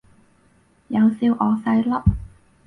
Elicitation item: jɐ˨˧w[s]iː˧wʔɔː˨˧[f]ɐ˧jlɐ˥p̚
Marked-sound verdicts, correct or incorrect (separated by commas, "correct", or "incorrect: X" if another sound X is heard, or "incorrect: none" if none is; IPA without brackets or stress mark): correct, incorrect: s